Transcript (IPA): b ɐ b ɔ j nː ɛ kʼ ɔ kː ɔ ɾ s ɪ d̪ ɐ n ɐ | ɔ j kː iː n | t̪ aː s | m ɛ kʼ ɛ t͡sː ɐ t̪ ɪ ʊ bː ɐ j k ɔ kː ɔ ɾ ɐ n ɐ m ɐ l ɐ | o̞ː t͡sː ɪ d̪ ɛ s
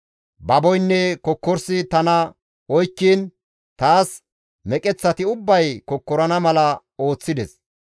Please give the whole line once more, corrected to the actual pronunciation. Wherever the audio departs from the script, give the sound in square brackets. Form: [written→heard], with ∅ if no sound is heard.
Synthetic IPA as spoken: b ɐ b ɔ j nː ɛ [kʼ→k] ɔ kː ɔ ɾ s ɪ [d̪→t̪] ɐ n ɐ | ɔ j kː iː n | t̪ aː s | m ɛ kʼ ɛ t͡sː ɐ t̪ ɪ ʊ bː ɐ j k ɔ kː ɔ ɾ ɐ n ɐ m ɐ l ɐ | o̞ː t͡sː ɪ d̪ ɛ s